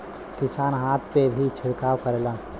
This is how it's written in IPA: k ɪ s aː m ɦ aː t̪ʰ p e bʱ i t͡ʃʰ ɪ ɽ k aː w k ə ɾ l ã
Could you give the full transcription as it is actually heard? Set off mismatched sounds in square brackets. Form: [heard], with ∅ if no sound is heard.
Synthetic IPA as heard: k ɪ s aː [n] ɦ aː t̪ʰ p e bʱ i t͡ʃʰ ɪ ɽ k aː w k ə ɾ l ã